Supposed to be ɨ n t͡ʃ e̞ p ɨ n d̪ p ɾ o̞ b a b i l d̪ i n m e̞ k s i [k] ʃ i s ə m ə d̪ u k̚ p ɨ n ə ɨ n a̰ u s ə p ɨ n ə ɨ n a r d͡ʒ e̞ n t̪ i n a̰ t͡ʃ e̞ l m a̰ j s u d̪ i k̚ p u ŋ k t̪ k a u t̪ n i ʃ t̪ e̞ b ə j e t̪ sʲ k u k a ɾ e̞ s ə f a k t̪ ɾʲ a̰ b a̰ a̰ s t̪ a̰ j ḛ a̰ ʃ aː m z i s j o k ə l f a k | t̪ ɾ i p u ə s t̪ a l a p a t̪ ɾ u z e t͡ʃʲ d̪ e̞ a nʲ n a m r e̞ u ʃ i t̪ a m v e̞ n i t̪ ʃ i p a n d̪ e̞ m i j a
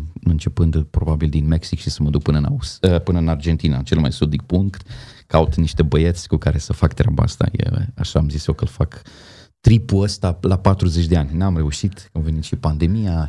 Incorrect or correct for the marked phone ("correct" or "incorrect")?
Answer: correct